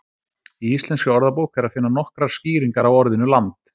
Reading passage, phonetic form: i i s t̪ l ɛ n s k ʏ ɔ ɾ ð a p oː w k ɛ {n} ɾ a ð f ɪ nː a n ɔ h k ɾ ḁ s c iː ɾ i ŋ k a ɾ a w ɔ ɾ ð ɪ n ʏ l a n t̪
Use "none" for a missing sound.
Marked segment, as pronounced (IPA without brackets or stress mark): none